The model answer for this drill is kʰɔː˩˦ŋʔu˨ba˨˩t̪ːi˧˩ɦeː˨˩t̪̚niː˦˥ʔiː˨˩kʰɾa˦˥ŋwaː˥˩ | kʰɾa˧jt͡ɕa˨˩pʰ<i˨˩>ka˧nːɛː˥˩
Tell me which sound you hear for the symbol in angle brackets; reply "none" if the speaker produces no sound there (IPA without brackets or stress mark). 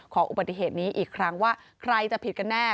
i˨˩